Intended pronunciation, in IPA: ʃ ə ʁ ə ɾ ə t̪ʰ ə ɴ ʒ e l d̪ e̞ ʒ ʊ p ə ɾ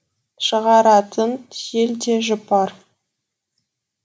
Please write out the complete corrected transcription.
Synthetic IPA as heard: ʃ ə ʁ ɑ ɾ ɑ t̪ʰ ə n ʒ e l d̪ e̞ ʒ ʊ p ɑ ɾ